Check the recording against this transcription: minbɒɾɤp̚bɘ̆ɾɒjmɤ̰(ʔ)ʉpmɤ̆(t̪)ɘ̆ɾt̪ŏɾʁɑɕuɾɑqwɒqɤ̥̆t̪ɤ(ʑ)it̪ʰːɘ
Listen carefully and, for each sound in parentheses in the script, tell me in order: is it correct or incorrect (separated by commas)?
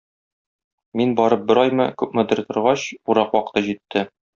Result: incorrect, incorrect, correct